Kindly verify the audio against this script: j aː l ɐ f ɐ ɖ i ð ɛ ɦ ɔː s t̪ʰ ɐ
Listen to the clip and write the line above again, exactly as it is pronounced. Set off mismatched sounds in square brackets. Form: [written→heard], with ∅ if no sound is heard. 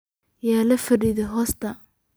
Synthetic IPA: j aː l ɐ f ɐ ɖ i ð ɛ ɦ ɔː s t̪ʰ ɐ